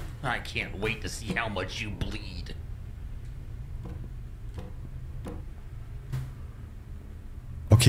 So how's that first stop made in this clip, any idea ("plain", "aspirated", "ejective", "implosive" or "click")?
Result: aspirated